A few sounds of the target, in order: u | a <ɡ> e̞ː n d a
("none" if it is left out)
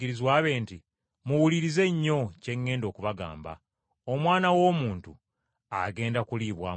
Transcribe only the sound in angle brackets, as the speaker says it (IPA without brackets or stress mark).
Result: ɡ